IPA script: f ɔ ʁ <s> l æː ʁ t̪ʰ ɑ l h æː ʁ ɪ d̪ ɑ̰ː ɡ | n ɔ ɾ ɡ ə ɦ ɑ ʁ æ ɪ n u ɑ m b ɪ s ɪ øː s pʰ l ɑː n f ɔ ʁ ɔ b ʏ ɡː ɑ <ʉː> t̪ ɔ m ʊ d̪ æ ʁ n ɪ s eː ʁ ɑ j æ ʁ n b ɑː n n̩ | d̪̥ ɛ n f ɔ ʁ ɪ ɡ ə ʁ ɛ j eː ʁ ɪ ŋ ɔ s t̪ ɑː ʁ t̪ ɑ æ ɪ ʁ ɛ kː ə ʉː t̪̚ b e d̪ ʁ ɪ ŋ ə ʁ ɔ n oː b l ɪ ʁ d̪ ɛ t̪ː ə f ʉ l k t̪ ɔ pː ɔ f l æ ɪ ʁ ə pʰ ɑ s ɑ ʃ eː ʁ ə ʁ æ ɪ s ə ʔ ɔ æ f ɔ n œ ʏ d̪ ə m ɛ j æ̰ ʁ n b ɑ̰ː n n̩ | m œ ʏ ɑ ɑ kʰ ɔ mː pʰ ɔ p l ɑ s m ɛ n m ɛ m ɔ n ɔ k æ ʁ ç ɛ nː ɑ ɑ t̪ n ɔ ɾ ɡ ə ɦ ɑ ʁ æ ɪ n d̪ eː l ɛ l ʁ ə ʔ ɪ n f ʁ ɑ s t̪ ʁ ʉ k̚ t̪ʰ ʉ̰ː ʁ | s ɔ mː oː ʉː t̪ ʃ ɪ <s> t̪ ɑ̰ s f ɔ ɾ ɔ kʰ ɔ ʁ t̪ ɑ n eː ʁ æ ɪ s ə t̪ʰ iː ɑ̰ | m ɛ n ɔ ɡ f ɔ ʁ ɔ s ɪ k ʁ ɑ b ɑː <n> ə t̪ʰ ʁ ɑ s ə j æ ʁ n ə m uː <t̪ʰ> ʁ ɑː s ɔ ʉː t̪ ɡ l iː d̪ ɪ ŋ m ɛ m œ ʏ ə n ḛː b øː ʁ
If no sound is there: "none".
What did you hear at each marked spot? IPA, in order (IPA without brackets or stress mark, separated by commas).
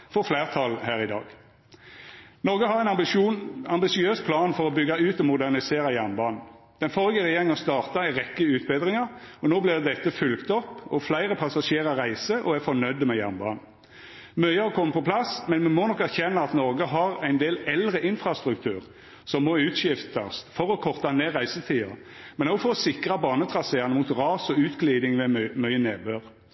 f, ʉː, f, n, t̪